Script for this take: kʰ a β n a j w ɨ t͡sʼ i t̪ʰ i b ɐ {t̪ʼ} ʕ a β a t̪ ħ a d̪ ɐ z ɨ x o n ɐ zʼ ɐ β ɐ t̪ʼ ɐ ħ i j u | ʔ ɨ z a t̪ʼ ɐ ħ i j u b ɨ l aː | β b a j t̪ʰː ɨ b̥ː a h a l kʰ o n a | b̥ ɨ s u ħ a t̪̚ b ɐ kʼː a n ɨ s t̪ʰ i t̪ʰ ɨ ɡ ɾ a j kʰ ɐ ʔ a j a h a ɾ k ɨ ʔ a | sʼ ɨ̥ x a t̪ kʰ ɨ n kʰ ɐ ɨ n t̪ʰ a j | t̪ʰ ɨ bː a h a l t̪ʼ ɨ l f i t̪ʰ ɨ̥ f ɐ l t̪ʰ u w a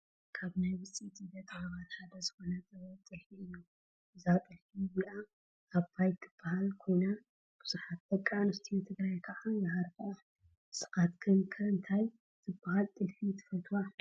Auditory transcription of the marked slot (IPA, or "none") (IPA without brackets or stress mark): t̪ʼ